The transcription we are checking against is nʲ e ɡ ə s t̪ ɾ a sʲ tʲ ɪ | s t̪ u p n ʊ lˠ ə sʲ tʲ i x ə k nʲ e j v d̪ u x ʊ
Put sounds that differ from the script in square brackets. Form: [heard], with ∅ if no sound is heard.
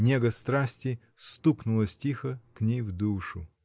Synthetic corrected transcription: nʲ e ɡ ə s t̪ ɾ a sʲ tʲ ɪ | s t̪ u [k] n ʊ lˠ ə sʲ tʲ i x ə k nʲ e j v d̪ u [ʂ] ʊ